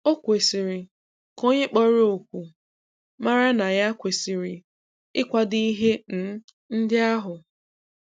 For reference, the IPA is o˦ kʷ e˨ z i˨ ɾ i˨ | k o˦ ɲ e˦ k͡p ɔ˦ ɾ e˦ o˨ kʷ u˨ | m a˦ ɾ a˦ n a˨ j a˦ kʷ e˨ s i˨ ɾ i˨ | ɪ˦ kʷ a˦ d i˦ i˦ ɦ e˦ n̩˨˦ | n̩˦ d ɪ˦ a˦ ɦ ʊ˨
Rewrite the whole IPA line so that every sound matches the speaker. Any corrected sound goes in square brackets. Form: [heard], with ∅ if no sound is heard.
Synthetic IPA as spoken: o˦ kʷ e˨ [s] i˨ ɾ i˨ | k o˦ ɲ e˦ k͡p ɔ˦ ɾ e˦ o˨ kʷ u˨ | m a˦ ɾ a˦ n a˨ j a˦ kʷ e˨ s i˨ ɾ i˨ | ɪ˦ kʷ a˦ d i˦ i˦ ɦ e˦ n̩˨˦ | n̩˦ d ɪ˦ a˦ ɦ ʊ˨